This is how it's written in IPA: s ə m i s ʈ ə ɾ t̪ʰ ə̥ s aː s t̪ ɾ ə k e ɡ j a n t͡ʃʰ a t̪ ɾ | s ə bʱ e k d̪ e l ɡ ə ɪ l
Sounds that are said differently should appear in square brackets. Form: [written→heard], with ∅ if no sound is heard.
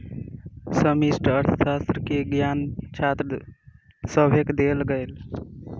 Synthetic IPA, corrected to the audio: s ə m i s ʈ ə ɾ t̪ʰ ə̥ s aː s t̪ ɾ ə k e ɡ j a n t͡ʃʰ a t̪ ɾ | s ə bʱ e k d̪ e l ɡ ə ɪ l